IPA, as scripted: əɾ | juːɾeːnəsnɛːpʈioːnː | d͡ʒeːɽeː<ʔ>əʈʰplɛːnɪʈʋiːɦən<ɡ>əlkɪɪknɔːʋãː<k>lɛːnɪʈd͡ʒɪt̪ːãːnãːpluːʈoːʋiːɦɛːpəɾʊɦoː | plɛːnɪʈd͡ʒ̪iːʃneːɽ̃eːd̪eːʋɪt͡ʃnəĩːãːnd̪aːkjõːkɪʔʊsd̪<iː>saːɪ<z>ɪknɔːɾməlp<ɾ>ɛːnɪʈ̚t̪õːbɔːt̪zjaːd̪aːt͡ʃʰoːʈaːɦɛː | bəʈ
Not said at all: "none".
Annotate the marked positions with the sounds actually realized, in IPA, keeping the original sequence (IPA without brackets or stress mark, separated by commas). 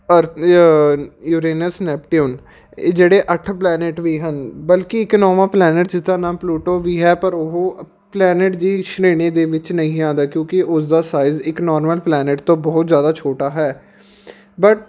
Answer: ʔ, b, p, aː, z, l